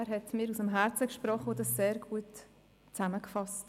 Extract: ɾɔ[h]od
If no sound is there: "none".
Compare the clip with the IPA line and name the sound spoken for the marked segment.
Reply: χ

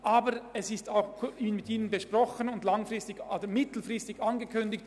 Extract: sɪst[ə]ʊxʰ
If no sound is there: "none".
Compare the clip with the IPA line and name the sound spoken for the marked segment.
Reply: a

